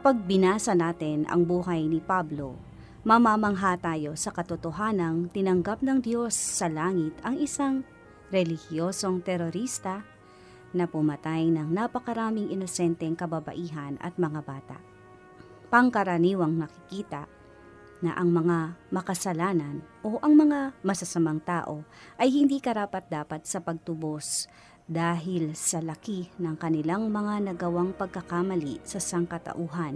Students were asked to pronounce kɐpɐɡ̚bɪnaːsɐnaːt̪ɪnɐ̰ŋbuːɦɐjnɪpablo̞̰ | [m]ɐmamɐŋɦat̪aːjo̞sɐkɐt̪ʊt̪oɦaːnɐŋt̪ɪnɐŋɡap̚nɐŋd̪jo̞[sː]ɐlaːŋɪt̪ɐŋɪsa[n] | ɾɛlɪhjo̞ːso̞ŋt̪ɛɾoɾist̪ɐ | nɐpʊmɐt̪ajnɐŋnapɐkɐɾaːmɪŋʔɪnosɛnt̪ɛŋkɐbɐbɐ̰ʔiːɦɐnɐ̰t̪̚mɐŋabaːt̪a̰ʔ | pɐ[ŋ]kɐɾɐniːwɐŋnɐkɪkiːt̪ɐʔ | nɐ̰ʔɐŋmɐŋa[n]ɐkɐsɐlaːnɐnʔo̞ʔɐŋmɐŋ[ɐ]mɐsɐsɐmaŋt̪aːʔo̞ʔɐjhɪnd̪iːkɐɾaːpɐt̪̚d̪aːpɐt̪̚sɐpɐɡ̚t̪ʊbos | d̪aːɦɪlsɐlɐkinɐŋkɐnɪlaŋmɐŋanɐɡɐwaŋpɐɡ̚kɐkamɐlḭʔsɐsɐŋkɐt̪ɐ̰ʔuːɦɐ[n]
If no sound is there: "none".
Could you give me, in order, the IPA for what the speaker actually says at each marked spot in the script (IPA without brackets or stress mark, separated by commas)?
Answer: m, sː, ŋ, ŋ, m, a, n